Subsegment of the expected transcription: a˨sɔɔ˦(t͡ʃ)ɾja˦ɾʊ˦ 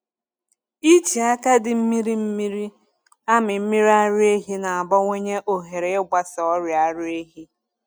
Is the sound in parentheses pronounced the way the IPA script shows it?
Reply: no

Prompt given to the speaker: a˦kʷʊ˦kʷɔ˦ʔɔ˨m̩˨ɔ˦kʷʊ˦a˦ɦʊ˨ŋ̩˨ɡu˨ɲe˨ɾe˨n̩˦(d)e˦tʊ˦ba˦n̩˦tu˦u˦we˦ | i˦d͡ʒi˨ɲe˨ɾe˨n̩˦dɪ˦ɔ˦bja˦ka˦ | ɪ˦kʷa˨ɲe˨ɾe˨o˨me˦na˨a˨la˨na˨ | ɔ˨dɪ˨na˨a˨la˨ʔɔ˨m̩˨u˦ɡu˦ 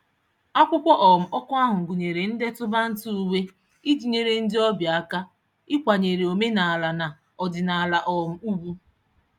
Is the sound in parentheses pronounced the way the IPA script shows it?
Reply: yes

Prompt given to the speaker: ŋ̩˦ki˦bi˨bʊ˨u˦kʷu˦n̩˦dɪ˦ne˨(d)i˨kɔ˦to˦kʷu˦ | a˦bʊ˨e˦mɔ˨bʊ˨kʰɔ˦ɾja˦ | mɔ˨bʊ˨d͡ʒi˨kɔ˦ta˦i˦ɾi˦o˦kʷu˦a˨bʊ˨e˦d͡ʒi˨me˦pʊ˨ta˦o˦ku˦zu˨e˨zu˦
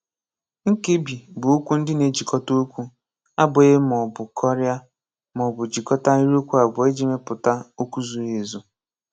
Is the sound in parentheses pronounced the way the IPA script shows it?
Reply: no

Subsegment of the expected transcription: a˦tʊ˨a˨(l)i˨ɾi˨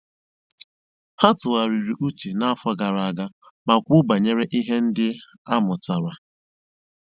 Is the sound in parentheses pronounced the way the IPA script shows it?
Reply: no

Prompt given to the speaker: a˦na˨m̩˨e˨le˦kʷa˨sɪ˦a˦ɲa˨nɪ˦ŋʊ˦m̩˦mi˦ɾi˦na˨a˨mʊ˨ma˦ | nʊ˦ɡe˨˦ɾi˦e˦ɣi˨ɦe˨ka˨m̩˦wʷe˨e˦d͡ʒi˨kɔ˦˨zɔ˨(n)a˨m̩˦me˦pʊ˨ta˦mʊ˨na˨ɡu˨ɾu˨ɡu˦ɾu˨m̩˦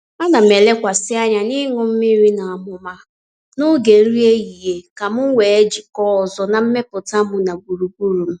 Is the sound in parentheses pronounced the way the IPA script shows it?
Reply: yes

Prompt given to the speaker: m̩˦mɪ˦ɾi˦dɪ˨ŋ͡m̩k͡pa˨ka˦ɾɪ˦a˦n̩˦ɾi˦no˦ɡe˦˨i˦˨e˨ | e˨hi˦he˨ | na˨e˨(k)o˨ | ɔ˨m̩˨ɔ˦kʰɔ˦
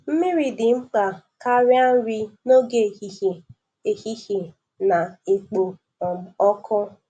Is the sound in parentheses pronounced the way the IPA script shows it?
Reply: no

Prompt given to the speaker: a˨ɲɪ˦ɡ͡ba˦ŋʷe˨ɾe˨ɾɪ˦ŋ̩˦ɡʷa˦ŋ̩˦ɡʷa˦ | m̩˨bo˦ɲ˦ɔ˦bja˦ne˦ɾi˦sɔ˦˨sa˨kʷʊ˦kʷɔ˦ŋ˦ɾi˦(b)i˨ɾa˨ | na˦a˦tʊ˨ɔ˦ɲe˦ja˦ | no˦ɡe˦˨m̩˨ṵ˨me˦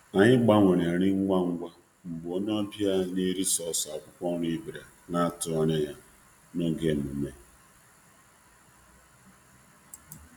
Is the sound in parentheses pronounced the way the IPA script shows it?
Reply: yes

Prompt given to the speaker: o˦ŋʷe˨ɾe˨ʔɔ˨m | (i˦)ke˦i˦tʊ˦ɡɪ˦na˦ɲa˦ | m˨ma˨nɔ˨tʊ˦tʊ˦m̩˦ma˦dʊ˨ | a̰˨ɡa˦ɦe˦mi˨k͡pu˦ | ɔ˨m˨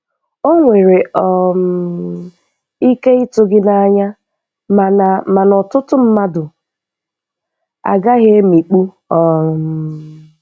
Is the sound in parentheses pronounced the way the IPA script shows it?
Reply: yes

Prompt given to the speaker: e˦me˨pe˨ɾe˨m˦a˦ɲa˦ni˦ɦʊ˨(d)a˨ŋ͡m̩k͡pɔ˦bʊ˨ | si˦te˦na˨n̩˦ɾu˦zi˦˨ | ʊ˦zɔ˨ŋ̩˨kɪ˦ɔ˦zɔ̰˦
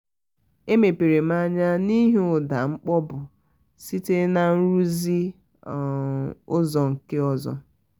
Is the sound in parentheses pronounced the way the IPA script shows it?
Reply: yes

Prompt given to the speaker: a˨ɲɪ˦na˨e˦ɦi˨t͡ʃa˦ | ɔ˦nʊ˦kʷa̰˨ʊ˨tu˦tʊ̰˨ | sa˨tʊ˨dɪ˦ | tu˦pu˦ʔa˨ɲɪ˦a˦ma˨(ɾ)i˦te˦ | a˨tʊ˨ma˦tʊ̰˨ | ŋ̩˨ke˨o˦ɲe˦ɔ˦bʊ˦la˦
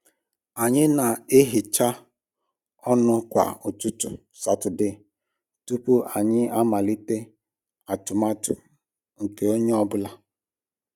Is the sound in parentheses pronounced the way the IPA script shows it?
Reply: no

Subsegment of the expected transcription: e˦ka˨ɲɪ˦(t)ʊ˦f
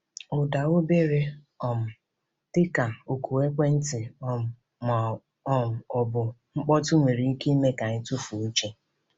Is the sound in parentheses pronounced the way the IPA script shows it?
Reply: yes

